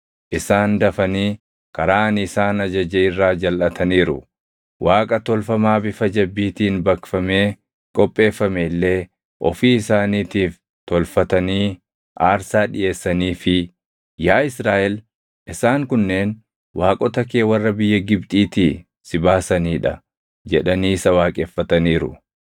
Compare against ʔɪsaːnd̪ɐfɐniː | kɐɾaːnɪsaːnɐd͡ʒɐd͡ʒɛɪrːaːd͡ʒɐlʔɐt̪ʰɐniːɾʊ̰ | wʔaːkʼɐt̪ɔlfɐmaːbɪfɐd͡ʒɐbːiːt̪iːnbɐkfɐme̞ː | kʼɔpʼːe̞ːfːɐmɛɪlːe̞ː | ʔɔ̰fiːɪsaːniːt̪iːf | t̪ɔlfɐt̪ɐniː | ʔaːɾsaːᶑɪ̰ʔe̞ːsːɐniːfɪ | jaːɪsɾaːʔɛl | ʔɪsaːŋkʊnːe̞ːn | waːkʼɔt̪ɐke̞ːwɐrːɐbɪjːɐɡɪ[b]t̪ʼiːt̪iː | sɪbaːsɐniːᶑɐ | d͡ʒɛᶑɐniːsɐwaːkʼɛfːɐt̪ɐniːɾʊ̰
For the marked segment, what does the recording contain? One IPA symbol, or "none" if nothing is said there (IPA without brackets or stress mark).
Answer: b